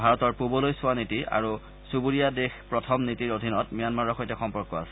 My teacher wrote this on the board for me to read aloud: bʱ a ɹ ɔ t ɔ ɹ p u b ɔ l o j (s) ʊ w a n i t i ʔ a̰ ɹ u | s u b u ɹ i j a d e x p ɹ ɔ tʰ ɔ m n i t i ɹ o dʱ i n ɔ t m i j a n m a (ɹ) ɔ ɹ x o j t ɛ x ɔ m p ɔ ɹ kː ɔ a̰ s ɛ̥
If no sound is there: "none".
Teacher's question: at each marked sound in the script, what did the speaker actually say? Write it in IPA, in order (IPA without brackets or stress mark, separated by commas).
s, ɹ